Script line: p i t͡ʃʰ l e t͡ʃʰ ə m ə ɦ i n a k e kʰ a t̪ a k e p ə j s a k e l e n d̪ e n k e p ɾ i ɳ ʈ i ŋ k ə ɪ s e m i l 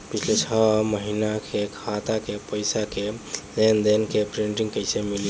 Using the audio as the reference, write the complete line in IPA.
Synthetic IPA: p i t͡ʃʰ l e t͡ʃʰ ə m ə ɦ i n a k e kʰ a t̪ a k e p ə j s a k e l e n d̪ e n k e p ɾ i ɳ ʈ i ŋ k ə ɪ s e m i l

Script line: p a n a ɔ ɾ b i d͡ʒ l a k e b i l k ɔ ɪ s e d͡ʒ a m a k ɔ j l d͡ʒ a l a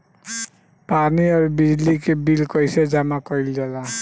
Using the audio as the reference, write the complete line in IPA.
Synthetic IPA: p a n i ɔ ɾ b i d͡ʒ l i k e b i l k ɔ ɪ s e d͡ʒ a m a k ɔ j l d͡ʒ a l a

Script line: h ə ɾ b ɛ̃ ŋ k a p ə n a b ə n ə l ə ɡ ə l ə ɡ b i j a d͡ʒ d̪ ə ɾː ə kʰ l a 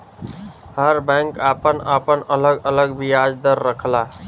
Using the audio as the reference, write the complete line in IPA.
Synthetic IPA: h ə ɾ b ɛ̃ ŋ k a p ə n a p ə n ə l ə ɡ ə l ə ɡ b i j a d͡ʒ d̪ ə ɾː ə kʰ l a

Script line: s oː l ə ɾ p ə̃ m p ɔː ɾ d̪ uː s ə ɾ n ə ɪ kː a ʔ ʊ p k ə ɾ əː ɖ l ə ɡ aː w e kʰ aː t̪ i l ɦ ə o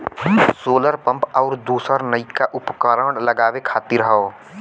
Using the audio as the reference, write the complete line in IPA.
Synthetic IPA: s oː l ə ɾ p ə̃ m p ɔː ɾ d̪ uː s ə ɾ n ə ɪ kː a ʔ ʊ p k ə ɾ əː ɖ l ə ɡ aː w e kʰ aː t̪ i ɾ ɦ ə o

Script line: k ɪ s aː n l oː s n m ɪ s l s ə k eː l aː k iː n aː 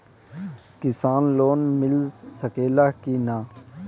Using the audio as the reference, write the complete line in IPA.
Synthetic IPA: k ɪ s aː n l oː n m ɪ l s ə k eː l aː k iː n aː

